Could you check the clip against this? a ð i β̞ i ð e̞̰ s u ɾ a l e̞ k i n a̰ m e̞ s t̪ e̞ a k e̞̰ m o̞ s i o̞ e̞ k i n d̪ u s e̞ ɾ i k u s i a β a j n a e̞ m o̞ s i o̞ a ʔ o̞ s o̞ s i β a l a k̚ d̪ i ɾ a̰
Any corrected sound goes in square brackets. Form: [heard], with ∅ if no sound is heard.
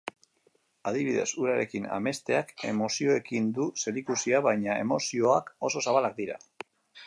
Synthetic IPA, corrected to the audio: a ð i β̞ i ð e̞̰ s u ɾ a [ɾ] e̞ k i n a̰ m e̞ s t̪ e̞ a k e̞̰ m o̞ s i o̞ e̞ k i n d̪ u s e̞ ɾ i k u s i a β a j [ɲ] a e̞ m o̞ s i o̞ a [k] o̞ s o̞ s [a] β a l a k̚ d̪ i ɾ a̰